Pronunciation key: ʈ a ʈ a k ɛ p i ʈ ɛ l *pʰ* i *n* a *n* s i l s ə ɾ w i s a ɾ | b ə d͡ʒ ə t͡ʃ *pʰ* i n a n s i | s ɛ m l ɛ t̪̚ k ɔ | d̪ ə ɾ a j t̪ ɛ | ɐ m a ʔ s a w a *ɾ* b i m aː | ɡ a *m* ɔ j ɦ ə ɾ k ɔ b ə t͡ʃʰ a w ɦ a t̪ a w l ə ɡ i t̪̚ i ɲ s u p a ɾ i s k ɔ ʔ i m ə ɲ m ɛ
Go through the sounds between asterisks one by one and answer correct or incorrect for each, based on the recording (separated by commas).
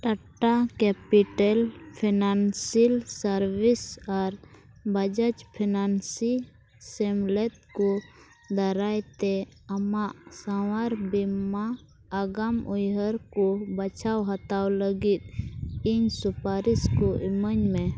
correct, correct, correct, correct, correct, correct